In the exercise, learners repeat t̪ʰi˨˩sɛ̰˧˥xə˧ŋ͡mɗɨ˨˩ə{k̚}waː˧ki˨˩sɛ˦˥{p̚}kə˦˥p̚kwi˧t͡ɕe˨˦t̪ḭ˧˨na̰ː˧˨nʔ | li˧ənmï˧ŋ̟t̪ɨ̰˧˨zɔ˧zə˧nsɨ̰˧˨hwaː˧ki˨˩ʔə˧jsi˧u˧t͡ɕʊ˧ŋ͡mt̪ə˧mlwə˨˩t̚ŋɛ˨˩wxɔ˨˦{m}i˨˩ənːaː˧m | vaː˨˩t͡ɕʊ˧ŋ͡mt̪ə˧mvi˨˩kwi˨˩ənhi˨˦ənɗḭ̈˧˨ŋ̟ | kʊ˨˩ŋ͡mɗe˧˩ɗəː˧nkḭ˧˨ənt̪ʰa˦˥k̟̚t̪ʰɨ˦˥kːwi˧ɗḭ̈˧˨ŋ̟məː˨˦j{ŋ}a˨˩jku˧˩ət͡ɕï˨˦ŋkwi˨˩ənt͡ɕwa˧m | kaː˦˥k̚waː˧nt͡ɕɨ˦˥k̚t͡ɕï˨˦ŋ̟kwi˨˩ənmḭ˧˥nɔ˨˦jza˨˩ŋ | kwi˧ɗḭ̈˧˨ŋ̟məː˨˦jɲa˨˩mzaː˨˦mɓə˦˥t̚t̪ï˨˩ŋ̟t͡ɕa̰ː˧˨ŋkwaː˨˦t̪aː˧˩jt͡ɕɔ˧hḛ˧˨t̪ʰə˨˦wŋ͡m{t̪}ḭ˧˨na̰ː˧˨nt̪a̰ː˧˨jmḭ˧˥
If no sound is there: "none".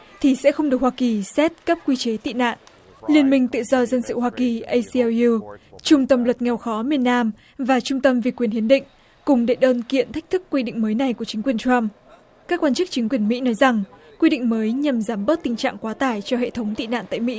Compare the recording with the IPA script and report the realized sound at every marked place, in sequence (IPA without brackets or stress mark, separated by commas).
k̚, t̚, m, n, t̪